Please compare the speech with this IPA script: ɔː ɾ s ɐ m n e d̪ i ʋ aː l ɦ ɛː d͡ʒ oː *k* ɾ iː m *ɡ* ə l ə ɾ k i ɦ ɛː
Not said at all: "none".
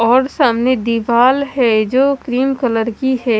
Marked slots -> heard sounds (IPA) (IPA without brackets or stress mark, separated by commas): k, k